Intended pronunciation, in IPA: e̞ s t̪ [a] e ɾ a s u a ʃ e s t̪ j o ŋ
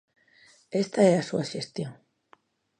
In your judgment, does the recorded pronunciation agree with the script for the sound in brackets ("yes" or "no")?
yes